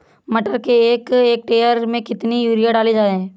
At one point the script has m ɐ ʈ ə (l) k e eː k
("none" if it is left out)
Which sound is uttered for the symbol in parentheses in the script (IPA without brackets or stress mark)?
ɾ